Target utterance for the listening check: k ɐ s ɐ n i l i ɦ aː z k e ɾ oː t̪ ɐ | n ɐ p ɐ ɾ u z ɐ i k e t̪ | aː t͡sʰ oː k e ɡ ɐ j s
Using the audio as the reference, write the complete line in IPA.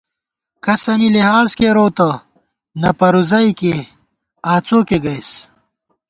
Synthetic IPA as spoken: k ɐ s ɐ n i l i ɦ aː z k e ɾ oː t̪ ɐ | n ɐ p ɐ ɾ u z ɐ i k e | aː t͡s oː k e ɡ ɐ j s